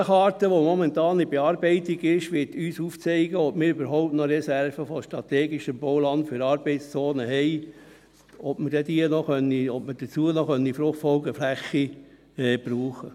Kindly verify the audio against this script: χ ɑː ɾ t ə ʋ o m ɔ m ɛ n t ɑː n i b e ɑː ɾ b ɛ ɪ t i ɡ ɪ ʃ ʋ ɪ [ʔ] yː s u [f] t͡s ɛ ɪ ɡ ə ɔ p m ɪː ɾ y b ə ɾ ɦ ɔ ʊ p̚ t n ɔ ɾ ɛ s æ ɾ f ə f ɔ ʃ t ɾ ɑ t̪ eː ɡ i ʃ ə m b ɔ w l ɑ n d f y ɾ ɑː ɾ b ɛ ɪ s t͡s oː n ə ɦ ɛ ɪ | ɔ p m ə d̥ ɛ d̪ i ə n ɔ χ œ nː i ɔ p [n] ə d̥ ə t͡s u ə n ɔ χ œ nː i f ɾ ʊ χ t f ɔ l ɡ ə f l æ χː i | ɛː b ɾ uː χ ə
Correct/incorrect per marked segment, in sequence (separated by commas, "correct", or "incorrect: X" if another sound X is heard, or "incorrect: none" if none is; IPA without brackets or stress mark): incorrect: t, correct, incorrect: m